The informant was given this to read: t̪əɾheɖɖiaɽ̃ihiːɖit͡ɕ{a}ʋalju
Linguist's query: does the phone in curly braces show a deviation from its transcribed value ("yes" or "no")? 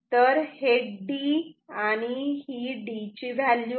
yes